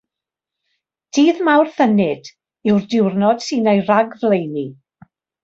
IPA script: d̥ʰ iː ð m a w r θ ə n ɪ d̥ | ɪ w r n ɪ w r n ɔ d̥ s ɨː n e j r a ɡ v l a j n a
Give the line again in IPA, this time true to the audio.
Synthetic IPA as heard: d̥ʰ iː ð m a w r θ ə n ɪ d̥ | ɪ w r d ɪ w r n ɔ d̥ s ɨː n e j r a ɡ v l e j n i